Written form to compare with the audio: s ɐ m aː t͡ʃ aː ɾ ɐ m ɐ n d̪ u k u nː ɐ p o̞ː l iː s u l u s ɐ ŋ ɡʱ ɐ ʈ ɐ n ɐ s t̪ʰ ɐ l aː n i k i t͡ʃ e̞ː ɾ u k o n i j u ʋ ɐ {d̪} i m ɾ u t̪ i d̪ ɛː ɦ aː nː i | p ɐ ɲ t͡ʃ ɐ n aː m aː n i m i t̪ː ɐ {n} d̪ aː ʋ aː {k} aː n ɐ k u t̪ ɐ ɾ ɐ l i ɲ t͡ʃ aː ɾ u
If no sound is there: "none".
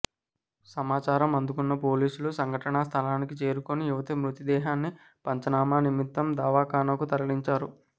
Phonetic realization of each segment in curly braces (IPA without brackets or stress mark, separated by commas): t̪, m, k